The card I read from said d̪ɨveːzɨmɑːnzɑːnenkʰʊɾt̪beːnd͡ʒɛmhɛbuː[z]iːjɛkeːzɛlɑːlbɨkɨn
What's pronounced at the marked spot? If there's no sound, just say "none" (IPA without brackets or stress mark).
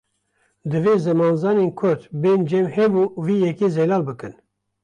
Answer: v